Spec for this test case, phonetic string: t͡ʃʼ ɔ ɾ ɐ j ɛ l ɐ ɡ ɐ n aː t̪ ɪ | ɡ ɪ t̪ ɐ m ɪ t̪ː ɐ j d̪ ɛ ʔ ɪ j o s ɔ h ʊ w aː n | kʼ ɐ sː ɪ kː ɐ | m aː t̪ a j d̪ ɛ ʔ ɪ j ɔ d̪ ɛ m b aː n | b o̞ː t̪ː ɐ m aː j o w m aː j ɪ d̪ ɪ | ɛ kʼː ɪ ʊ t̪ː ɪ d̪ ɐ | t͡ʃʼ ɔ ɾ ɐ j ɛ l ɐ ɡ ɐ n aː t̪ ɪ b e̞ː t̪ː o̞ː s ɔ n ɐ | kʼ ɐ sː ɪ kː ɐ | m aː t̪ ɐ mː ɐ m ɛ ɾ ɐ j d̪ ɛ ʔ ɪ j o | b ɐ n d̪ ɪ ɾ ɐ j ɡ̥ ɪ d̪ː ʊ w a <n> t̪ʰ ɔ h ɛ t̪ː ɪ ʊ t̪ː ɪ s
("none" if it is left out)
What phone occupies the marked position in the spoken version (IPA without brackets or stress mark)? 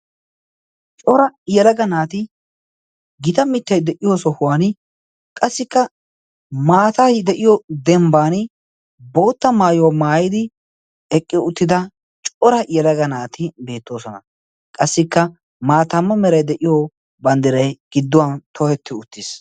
n